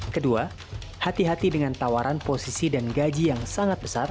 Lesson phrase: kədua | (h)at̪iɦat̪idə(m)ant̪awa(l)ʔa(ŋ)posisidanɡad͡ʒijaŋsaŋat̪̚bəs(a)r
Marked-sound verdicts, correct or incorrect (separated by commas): correct, incorrect, incorrect, incorrect, correct